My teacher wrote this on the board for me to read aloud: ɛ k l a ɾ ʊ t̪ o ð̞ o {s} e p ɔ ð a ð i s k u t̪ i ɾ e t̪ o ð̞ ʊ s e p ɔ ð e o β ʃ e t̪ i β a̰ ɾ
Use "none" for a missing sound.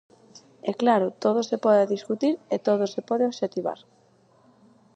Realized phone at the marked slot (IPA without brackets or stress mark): s